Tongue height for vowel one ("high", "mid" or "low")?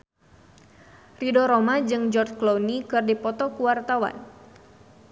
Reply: high